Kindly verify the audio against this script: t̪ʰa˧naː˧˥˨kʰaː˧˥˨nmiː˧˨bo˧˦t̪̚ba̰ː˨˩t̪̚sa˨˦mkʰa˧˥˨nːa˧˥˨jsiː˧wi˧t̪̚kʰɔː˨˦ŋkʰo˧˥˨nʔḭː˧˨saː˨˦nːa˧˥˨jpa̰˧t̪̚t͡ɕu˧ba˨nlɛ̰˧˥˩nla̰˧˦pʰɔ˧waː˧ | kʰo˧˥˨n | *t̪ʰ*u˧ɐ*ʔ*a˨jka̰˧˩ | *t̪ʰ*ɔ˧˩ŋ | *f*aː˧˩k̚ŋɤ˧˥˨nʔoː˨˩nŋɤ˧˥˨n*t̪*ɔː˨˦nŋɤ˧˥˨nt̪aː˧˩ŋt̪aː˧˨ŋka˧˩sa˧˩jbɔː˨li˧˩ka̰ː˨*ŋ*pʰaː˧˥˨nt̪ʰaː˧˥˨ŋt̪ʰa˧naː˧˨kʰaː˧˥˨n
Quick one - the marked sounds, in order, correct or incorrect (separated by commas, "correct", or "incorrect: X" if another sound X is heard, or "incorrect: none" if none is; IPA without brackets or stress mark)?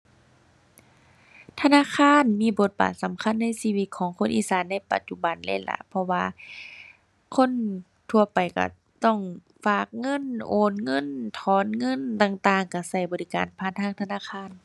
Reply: correct, incorrect: p, incorrect: t̪, correct, incorrect: t̪ʰ, incorrect: n